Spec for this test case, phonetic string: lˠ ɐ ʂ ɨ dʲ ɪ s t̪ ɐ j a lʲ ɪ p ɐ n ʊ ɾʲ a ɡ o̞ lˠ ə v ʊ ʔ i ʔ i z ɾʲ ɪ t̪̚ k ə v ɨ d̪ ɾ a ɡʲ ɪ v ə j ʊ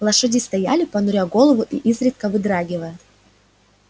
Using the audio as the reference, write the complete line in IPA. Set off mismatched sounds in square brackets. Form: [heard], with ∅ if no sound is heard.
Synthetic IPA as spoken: lˠ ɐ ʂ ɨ dʲ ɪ s t̪ ɐ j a lʲ ɪ p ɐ n ʊ ɾʲ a ɡ o̞ lˠ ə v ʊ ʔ i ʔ i z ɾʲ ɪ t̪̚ k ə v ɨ d̪ ɾ a ɡʲ ɪ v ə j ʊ